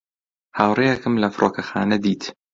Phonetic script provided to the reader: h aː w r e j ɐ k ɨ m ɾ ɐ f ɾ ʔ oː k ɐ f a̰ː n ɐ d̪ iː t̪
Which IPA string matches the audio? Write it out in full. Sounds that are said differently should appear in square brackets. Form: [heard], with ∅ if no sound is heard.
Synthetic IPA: h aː w r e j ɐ k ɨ m [l] ɐ f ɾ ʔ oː k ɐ [x] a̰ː n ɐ d̪ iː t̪